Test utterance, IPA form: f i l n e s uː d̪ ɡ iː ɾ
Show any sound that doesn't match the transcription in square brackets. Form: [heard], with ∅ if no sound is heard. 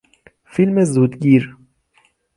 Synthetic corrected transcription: f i l [m] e [z] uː d̪ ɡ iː ɾ